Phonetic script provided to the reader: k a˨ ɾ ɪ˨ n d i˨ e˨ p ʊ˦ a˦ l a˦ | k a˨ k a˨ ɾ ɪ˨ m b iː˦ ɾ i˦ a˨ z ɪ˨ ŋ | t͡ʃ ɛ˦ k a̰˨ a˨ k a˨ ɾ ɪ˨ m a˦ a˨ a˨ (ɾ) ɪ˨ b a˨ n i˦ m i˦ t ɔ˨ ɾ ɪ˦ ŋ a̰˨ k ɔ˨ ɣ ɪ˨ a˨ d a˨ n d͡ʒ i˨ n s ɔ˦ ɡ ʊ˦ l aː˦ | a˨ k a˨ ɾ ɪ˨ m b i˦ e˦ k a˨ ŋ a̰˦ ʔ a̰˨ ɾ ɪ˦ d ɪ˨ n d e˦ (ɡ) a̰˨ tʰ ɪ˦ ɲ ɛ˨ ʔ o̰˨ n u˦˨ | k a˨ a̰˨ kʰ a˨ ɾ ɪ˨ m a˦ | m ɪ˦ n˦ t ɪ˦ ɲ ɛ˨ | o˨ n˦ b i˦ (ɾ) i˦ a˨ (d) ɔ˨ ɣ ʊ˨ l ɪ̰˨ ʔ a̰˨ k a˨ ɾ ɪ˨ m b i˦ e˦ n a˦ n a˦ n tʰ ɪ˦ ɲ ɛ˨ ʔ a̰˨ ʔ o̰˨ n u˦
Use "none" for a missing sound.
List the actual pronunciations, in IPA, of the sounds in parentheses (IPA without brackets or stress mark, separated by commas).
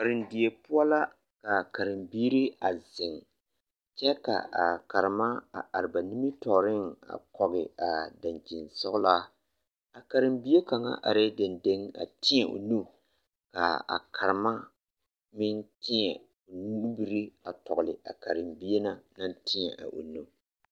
ɾ, ŋ, ɾ, t